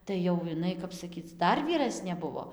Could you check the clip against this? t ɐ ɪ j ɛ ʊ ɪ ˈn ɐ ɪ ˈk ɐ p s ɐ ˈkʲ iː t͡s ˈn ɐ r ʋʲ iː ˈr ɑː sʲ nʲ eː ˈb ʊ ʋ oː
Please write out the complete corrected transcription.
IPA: t ɐ ɪ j ɛ ʊ ɪ ˈn ɐ ɪ ˈk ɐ p s ɐ ˈkʲ iː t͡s ˈd ɐ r ʋʲ iː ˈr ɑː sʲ nʲ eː ˈb ʊ ʋ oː

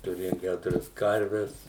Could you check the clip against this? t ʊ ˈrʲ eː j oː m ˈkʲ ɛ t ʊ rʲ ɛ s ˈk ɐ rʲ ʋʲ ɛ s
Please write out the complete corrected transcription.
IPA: t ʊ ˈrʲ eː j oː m ˈkʲ æ t ʊ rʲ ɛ s ˈk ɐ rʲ ʋʲ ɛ s

